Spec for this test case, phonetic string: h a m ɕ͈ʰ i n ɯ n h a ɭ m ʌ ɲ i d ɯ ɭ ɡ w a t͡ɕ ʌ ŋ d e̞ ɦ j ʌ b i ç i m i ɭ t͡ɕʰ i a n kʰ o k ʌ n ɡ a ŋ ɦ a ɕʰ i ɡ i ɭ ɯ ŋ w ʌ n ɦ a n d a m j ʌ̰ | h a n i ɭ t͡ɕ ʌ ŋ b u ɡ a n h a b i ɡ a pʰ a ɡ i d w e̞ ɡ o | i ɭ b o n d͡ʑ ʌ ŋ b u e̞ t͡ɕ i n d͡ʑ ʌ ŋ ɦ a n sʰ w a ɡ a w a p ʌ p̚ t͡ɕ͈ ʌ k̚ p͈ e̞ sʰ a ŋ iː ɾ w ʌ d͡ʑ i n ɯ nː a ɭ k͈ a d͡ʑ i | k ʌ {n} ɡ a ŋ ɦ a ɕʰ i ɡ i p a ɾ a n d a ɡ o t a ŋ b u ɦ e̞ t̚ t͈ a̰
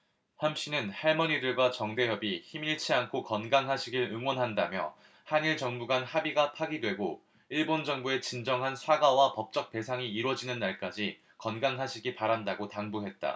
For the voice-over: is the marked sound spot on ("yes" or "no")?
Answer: yes